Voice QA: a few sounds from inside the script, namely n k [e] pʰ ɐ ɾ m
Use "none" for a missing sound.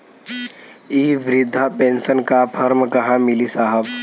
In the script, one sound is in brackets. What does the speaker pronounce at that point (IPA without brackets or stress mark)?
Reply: a